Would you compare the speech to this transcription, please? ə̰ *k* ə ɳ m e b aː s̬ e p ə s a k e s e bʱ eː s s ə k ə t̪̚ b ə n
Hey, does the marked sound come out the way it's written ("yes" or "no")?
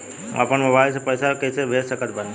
no